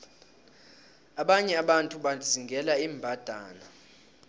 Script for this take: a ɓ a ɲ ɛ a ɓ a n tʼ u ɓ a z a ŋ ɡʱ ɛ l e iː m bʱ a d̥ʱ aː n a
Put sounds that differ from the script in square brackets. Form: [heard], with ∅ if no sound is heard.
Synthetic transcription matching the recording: a ɓ a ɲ ɛ a ɓ a n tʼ u ɓ a z [i] ŋ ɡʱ ɛ l [a] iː m bʱ a d̥ʱ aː n a